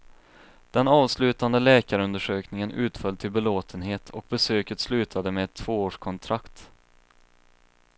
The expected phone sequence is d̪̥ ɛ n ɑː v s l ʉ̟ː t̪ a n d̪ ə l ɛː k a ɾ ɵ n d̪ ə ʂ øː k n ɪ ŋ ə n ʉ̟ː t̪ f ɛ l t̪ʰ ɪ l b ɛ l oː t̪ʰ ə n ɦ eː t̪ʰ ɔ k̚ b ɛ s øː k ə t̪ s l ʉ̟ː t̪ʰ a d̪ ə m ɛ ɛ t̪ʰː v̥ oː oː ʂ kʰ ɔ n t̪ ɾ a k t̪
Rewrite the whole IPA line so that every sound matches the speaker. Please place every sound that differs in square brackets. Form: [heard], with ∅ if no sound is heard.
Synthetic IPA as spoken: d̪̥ ɛ n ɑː v s l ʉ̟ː t̪ a n d̪ ə l ɛː k a ɾ ɵ n d̪ ə ʂ øː k n ɪ ŋ ə n ʉ̟ː t̪ f [œ] l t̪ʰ ɪ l b ɛ l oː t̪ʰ ə n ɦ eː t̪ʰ ɔ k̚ b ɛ s øː k ə t̪ s l ʉ̟ː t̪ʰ a d̪ ə m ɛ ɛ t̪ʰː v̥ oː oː ʂ kʰ ɔ n [t̪ʰ] ɾ a k t̪